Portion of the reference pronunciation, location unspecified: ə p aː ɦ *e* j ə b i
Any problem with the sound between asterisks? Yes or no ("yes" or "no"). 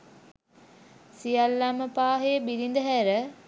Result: no